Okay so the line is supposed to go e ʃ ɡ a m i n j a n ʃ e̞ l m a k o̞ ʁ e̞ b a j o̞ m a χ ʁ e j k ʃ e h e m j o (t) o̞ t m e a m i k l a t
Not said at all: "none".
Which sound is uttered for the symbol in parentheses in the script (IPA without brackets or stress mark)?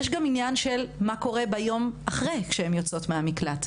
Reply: t͡s